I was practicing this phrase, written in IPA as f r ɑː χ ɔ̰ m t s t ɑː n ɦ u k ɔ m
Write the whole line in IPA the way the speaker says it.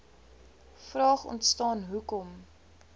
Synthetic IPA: f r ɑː χ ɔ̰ n t s t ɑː n ɦ u k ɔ m